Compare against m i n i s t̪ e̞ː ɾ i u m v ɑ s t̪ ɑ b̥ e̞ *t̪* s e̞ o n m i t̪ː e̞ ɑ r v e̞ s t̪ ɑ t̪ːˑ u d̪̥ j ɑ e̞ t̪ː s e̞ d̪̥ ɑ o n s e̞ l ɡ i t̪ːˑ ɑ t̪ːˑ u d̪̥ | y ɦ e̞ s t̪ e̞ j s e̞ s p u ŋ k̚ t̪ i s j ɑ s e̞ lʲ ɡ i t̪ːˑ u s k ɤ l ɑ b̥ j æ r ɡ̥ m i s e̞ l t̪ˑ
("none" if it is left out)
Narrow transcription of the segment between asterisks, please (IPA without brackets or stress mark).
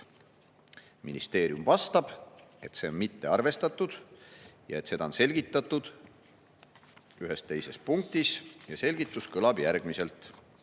t̪